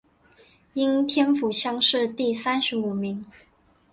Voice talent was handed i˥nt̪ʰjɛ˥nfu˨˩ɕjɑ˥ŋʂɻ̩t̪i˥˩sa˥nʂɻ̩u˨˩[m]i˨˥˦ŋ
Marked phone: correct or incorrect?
correct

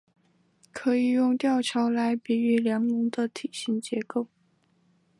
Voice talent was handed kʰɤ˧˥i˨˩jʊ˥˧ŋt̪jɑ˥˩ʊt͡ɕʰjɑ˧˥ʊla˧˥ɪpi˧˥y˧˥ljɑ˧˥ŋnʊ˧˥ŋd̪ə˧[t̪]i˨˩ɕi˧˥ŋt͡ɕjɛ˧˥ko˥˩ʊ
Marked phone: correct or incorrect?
incorrect: t̪ʰ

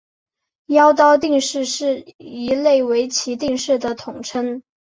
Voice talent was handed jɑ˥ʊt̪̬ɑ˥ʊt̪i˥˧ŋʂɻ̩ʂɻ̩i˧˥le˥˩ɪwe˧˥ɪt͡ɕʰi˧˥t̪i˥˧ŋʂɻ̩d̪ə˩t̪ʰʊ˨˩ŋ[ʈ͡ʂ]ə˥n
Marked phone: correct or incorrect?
incorrect: ʈ͡ʂʰ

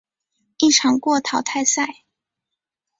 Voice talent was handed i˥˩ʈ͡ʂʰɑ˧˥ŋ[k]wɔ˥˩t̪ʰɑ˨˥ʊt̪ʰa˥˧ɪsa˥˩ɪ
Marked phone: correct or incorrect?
correct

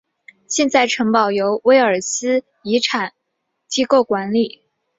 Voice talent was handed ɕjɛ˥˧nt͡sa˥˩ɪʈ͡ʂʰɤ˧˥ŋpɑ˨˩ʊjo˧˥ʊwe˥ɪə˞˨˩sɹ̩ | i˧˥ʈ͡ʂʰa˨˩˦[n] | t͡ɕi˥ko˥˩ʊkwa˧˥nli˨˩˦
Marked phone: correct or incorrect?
correct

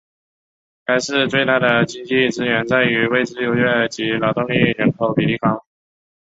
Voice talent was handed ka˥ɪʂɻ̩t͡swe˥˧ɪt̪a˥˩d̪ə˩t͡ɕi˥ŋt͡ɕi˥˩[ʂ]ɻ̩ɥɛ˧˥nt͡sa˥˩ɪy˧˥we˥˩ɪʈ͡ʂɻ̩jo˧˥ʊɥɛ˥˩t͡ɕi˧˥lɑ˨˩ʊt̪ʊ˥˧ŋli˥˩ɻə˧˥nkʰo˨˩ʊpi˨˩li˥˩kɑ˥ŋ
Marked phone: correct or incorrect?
incorrect: ʈ͡ʂ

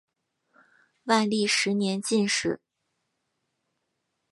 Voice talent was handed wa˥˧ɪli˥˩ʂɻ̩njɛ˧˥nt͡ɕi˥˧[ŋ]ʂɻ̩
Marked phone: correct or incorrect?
incorrect: n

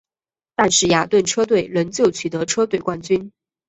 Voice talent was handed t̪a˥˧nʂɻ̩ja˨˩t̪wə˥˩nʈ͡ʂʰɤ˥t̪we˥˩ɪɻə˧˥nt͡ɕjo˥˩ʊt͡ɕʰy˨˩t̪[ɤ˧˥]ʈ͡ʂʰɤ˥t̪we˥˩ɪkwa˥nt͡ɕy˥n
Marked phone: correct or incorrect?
correct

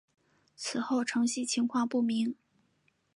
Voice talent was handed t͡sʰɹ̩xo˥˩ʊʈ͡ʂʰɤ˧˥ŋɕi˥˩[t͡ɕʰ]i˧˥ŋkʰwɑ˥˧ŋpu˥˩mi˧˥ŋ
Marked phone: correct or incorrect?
correct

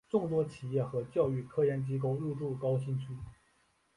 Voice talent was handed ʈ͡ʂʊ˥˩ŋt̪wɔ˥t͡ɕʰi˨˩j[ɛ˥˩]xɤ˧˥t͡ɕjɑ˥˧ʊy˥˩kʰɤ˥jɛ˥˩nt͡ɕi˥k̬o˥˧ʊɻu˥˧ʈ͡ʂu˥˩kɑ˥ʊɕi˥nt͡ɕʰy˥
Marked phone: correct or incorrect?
correct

